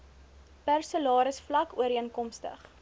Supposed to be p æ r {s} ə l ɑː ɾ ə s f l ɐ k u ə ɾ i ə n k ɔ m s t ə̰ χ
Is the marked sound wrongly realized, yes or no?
no